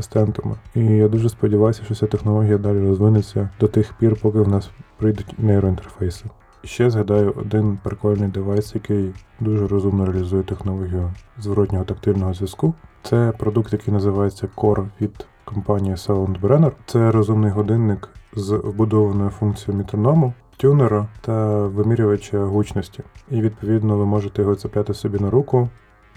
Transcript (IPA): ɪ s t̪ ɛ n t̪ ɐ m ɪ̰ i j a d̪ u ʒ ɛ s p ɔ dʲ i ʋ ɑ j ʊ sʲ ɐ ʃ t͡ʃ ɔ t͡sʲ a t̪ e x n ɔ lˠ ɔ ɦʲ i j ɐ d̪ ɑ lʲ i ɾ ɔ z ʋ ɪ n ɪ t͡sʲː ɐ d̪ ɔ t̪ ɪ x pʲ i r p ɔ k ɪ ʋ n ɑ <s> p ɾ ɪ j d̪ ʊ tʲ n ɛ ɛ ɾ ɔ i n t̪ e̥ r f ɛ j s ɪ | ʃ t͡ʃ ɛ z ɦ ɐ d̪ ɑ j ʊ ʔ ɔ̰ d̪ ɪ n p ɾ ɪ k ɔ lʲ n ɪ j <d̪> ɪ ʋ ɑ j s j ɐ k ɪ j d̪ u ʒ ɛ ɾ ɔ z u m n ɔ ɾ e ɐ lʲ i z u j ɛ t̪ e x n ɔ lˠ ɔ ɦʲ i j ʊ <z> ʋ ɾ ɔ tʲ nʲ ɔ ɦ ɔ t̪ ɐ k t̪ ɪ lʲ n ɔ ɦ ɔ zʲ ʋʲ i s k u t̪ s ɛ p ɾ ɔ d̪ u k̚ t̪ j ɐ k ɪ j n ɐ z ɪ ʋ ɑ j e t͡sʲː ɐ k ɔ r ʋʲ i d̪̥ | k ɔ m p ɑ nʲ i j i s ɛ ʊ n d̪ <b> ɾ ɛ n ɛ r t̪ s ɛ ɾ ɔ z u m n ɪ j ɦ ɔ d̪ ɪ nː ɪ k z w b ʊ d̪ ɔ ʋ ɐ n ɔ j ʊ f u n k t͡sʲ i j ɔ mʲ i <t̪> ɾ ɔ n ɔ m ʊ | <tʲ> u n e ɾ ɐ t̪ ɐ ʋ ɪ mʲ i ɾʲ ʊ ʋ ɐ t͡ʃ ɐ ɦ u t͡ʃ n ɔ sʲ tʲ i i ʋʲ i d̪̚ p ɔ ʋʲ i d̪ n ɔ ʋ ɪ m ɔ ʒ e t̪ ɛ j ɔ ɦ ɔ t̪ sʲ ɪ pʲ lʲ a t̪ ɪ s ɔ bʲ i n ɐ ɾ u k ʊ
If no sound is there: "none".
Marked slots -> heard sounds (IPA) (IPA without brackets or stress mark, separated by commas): s, d̪, z, b, t̪, tʲ